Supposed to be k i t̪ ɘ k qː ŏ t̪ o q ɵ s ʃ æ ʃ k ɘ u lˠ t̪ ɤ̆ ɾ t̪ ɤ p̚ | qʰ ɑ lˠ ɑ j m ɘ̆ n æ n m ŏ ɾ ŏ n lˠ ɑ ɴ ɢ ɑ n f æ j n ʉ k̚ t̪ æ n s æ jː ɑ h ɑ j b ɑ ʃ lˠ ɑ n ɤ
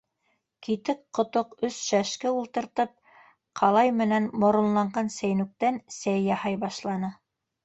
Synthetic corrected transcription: k i t̪ ɘ k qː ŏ t̪ o q ɵ s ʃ æ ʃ k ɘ u lˠ t̪ ɤ̆ ɾ t̪ ɤ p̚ | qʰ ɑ lˠ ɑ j m ɘ̆ n æ n m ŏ ɾ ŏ n lˠ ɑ ɴ ɢ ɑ n s æ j n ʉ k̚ t̪ æ n s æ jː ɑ h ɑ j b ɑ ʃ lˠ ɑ n ɤ

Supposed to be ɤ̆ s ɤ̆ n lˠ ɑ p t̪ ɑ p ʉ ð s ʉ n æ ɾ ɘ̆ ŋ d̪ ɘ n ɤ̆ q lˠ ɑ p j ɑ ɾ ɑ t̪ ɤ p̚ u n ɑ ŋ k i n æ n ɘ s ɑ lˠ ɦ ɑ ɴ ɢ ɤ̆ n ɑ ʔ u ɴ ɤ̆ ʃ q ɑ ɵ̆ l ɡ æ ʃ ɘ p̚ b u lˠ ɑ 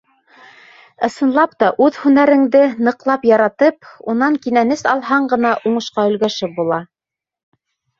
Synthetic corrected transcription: ɤ̆ s ɤ̆ n lˠ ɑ p t̪ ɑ ʔ ʉ ð h ʉ n æ ɾ ɘ̆ ŋ d̪ ɘ n ɤ̆ q lˠ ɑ p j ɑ ɾ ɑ t̪ ɤ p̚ u n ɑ ŋ k i n æ n ɘ s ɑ lˠ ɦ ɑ ɴ ɢ ɤ̆ n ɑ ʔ u ɴ ɤ̆ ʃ q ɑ ɵ̆ l ɡ æ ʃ ɘ p̚ b u lˠ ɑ

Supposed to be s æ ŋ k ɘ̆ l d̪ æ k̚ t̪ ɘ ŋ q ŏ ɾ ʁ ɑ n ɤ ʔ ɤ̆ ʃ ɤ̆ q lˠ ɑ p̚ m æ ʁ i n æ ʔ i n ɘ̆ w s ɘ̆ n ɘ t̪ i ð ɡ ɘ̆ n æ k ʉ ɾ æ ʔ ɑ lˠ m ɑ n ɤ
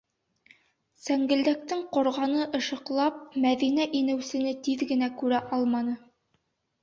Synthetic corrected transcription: s æ ŋ ɡ ɘ̆ l d̪ æ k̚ t̪ ɘ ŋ q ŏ ɾ ʁ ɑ n ɤ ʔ ɤ̆ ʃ ɤ̆ q lˠ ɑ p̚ m æ ð i n æ ʔ i n ɘ̆ w s ɘ̆ n ɘ t̪ i ð ɡ ɘ̆ n æ k ʉ ɾ æ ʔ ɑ lˠ m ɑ n ɤ

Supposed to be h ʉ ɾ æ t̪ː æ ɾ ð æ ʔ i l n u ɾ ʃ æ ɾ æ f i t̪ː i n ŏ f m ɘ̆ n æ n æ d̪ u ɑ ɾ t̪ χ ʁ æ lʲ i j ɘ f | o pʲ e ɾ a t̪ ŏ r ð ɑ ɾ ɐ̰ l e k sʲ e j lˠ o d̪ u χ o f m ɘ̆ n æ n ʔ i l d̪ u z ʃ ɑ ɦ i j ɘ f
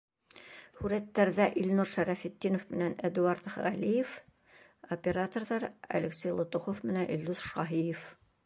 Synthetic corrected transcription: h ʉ ɾ æ t̪ː æ ɾ ð æ ʔ i l n u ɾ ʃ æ ɾ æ f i t̪ː i n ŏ f m ɘ̆ n æ n æ d̪ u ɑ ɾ t̪ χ ʁ æ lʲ i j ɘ f | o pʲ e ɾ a t̪ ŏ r ð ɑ ɾ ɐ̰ l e k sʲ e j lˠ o t̪ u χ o f m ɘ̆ n æ n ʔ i l d̪ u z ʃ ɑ ɦ i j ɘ f

